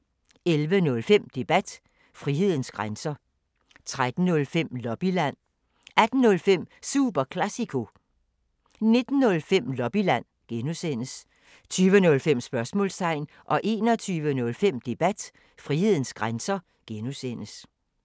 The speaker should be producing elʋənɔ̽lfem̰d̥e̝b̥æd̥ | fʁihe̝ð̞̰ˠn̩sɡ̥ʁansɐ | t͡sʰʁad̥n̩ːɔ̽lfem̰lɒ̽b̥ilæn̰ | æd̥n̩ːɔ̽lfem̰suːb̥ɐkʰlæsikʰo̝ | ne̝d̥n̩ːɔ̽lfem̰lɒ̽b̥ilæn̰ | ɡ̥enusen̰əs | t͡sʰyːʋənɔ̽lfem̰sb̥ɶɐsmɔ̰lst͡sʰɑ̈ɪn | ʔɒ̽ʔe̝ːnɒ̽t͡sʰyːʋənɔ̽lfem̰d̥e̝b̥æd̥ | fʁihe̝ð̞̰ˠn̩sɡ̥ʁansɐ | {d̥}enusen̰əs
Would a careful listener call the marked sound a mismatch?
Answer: yes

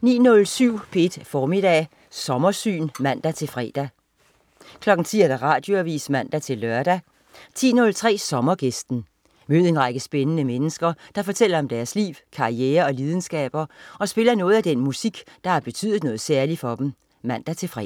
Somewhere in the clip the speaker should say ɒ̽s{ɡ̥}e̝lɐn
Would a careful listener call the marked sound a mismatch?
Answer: yes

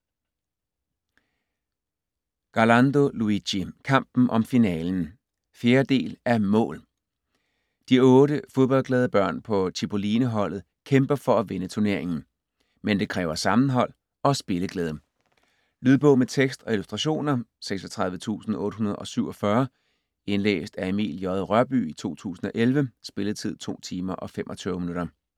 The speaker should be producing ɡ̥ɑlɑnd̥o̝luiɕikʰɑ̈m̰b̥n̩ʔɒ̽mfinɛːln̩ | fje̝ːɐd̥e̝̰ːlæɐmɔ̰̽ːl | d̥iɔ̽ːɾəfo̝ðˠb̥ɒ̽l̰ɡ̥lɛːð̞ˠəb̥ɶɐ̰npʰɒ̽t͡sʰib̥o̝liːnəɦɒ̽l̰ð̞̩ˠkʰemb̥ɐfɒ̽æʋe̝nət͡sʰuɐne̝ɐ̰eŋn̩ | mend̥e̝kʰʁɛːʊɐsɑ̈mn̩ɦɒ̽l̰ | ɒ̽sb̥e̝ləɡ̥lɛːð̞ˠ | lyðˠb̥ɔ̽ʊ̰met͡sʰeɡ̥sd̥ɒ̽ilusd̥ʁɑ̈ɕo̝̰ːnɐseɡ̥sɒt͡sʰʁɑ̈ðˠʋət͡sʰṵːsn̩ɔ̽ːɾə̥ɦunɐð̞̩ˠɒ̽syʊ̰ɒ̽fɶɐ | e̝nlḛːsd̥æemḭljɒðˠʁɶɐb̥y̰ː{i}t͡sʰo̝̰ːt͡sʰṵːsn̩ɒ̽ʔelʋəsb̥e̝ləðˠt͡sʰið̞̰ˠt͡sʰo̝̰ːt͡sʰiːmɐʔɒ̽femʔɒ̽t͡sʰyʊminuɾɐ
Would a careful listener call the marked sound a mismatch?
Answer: no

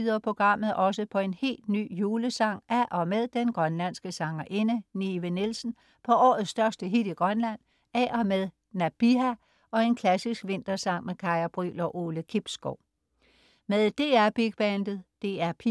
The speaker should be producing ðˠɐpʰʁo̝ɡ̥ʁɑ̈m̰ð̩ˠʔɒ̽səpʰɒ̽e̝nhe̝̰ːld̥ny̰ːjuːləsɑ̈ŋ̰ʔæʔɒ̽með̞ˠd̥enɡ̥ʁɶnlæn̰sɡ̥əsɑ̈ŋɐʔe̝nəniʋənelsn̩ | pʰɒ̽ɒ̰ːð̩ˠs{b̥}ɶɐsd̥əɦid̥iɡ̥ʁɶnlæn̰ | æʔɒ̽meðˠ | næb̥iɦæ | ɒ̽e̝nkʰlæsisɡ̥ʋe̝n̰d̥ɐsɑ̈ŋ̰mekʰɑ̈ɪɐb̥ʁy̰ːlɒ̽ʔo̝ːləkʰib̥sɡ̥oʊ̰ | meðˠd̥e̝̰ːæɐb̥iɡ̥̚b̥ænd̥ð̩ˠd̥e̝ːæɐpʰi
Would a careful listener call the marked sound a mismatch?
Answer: yes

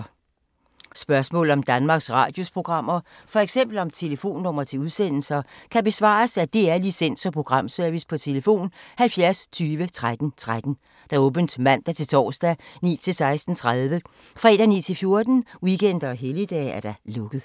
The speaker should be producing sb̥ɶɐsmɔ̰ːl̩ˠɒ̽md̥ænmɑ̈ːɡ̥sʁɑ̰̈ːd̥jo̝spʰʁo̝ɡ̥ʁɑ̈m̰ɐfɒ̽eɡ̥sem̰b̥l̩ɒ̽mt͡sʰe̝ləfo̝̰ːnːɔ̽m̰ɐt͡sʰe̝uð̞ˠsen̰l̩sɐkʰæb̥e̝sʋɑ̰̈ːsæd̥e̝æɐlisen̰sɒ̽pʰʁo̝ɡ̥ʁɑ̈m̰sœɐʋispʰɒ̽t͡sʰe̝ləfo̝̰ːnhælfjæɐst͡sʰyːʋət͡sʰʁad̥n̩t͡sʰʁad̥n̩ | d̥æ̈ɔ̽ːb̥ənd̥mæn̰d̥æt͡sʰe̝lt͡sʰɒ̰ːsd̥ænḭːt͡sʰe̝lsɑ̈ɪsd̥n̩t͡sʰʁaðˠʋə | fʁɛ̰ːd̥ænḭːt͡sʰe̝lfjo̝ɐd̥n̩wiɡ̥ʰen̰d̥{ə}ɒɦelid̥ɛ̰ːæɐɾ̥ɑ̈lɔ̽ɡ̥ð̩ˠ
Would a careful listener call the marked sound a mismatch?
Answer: yes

